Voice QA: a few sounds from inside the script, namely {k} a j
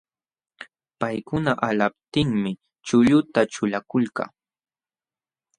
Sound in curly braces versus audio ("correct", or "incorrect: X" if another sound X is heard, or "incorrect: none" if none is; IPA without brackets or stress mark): incorrect: p